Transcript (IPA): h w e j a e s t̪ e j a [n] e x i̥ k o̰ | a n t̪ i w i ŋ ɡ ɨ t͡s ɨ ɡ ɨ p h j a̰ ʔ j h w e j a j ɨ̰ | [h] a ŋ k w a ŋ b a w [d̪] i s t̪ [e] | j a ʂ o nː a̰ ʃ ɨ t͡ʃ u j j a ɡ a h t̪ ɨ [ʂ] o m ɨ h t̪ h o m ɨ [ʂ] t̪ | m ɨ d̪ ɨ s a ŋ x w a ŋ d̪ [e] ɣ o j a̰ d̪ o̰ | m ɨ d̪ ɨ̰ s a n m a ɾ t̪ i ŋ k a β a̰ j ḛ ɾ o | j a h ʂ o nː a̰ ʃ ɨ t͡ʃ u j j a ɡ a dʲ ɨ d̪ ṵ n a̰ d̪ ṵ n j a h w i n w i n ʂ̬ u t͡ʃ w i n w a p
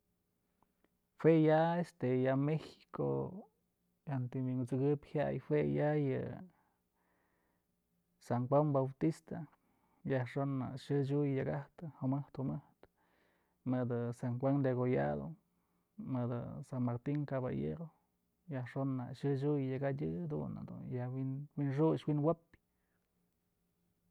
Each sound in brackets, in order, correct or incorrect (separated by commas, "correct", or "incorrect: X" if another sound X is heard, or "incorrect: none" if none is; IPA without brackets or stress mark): incorrect: m, incorrect: s, incorrect: t̪, incorrect: a, incorrect: h, incorrect: h, correct